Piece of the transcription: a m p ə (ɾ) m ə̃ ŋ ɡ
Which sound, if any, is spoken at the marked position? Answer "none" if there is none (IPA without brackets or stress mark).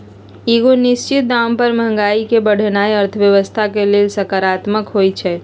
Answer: ɾ